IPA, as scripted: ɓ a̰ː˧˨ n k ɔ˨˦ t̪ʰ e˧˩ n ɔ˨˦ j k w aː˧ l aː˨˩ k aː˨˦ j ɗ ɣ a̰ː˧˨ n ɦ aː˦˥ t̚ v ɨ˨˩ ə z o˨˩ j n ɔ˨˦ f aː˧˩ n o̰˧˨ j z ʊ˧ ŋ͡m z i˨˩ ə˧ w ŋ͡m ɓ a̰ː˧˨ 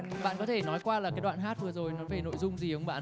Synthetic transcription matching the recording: ɓ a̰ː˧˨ n k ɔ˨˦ t̪ʰ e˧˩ n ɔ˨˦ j k w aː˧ l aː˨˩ k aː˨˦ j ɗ w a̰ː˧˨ n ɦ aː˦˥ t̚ v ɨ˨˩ ə z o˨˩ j n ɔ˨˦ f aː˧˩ n o̰˧˨ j z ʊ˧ ŋ͡m z i˨˩ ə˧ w ŋ͡m ɓ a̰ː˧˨

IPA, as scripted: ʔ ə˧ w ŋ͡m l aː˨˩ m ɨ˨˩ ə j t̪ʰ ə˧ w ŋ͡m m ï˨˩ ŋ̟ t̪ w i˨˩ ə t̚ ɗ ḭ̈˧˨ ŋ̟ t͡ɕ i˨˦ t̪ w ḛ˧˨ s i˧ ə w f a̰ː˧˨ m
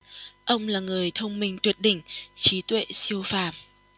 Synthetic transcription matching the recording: ʔ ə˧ w ŋ͡m l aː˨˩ ŋ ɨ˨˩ ə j t̪ʰ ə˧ w ŋ͡m m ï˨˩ ŋ̟ t̪ w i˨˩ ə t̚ ɗ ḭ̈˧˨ ŋ̟ t͡ɕ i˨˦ t̪ w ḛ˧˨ s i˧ ə w f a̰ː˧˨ m

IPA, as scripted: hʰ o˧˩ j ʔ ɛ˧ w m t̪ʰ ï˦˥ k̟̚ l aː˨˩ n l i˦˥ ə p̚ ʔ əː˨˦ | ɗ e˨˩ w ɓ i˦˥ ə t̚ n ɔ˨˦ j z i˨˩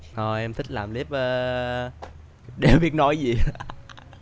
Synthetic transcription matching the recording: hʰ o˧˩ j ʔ ɛ˧ m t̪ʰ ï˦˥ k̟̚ l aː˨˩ m l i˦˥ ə p̚ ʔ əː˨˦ | ɗ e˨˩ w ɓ i˦˥ ə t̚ n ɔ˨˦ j z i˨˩

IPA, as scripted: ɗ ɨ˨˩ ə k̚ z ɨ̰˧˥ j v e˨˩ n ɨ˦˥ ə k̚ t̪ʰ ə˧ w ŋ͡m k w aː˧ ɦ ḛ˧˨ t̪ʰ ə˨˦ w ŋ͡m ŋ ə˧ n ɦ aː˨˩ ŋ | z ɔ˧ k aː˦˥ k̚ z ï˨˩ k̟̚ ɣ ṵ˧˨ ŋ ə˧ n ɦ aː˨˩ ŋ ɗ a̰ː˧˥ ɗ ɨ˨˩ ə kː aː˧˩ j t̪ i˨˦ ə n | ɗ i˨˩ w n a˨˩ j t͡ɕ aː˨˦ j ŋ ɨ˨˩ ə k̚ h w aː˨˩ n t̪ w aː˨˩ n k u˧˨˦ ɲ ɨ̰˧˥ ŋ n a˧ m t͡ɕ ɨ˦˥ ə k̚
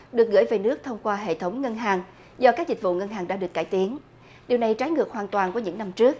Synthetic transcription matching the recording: ɗ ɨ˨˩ ə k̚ ɣ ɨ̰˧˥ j v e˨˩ n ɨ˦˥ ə k̚ t̪ʰ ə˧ w ŋ͡m k w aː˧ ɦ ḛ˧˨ t̪ʰ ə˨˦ w ŋ͡m ŋ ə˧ n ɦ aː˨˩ ŋ | z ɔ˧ k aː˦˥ k̚ z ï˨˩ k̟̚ v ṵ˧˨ ŋ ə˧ n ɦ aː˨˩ ŋ ɗ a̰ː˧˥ ɗ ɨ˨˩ ə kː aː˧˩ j t̪ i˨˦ ə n | ɗ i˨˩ w n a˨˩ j t͡ɕ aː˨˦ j ŋ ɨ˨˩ ə k̚ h w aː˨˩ n t̪ w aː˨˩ n k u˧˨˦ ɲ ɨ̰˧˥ ŋ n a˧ m t͡ɕ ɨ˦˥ ə k̚

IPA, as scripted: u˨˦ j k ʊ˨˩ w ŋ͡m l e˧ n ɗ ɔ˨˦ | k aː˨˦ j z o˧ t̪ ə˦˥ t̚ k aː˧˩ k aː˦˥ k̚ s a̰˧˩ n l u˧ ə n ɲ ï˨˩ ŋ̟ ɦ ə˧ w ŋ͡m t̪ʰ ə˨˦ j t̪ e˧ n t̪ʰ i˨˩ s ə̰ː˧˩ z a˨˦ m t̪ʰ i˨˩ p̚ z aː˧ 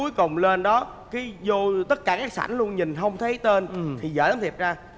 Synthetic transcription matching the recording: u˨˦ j k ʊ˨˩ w ŋ͡m l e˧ n ɗ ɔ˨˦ | k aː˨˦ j z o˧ t̪ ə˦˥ t̚ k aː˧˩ k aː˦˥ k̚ s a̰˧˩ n l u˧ ə n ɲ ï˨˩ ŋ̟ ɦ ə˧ w ŋ͡m t̪ʰ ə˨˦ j t̪ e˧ n t̪ʰ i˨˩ z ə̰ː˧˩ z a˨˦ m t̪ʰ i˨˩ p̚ z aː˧

